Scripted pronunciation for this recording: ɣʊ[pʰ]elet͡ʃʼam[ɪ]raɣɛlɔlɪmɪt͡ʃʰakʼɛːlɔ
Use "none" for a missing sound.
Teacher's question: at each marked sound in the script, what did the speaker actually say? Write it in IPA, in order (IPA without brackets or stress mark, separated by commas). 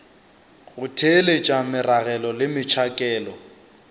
tʰ, ɪ